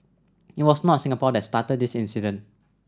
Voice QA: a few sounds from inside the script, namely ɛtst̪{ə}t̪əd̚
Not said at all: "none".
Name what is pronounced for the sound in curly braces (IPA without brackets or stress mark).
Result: a